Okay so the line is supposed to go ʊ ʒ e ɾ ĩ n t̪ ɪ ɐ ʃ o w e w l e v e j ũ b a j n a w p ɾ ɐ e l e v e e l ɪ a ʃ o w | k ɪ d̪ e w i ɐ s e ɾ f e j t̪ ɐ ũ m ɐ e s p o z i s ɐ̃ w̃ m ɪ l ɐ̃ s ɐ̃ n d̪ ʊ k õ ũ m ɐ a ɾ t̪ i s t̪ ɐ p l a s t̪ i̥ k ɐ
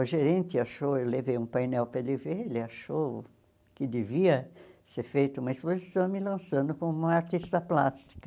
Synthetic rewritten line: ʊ ʒ e ɾ ẽ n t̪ ɪ a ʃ o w e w l e v e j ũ p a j n ɛ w p ɾ ɐ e l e v e e l ɪ a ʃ o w | k ɪ d̪ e v i ɐ s e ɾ f e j t̪ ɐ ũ m ɐ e s p o z i s ɐ̃ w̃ m ɪ l ɐ̃ s ɐ̃ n d̪ ʊ k õ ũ m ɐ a ɾ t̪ i s t̪ ɐ p l a s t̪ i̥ k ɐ